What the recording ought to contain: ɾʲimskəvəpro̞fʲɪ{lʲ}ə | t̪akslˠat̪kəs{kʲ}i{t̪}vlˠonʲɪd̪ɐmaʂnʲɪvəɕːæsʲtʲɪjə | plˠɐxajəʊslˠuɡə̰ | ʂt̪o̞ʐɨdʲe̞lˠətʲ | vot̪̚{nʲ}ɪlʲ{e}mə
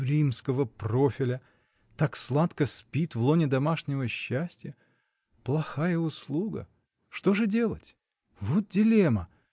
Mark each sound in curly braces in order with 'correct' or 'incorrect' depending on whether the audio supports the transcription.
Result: correct, incorrect: pʲ, correct, incorrect: dʲ, correct

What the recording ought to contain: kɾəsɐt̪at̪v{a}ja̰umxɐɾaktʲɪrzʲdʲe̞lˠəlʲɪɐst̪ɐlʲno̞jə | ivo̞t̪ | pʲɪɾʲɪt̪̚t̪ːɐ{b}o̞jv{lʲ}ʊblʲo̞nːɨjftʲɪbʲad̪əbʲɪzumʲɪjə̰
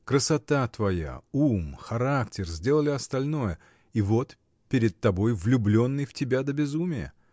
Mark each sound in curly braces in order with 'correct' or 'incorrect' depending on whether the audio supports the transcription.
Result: incorrect: ɐ, correct, correct

